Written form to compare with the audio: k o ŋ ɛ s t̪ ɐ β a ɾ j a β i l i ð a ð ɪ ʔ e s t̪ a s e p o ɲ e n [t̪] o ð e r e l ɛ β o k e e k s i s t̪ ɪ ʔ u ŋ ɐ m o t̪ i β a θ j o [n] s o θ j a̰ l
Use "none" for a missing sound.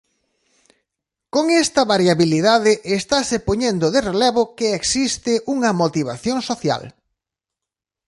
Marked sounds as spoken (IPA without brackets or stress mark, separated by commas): d̪, ŋ